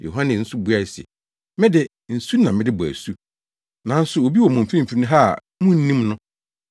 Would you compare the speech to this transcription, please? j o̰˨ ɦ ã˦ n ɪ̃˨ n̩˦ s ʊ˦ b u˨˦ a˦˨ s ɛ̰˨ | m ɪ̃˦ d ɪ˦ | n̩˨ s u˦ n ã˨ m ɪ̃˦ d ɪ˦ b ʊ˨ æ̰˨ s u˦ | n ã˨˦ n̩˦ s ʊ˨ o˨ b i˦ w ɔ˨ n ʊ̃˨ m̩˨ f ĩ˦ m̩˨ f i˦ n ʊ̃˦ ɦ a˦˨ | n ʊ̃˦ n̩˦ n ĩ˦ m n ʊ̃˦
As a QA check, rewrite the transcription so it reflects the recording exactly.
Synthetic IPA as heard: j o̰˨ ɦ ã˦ n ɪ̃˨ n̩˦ s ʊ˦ b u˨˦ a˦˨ s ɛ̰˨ | m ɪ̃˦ d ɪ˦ | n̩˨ s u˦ n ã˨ m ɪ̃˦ d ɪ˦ b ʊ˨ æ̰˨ s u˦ | n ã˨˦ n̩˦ s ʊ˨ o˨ b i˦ w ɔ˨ m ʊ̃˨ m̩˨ f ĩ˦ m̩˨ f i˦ n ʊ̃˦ ɦ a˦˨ | m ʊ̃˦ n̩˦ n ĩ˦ m n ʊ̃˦